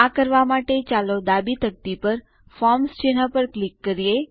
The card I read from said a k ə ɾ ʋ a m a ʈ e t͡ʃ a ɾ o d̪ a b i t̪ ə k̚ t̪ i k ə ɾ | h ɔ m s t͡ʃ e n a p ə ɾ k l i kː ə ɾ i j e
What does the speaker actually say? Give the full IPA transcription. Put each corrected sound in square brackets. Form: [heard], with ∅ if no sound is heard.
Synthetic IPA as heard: a k ə ɾ ʋ a m a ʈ e t͡ʃ a [l] o d̪ a b i t̪ ə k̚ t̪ i [p] ə ɾ | [f] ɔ m s t͡ʃ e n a p ə ɾ k l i kː ə ɾ i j e

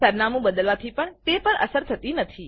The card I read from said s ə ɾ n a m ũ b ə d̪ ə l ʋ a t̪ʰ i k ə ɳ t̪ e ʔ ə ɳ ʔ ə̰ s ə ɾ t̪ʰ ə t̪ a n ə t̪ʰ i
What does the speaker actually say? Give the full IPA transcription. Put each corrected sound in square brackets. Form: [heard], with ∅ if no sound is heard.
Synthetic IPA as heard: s ə ɾ n a m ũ b ə d̪ ə l ʋ a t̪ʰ i [p] ə ɳ t̪ e [p] ə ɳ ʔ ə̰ s ə ɾ t̪ʰ ə t̪ [i] n ə t̪ʰ i

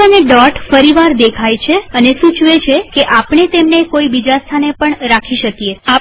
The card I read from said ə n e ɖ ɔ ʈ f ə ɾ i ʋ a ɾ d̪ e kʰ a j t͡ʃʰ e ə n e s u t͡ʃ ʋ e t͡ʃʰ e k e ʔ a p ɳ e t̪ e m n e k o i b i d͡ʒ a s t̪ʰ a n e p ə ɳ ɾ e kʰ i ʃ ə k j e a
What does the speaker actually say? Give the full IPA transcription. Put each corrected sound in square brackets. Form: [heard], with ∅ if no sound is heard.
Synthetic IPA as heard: ə n e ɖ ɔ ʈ f ə ɾ i ʋ a ɾ d̪ e kʰ a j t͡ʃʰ e ə n e s u t͡ʃ ʋ e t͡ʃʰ e k e ʔ a p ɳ e t̪ e m n e k o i b i d͡ʒ a s t̪ʰ a n e p ə ɳ ɾ [a] kʰ i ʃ ə k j e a

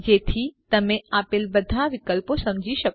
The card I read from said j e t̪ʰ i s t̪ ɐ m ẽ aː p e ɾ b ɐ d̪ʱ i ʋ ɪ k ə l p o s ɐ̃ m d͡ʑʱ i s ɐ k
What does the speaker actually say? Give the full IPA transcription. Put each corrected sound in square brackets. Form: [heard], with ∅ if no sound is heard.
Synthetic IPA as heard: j e t̪ʰ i [∅] t̪ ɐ m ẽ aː p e [l] b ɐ d̪ʱ [a] ʋ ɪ k ə l p o s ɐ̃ m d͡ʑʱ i [ʃ] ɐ k

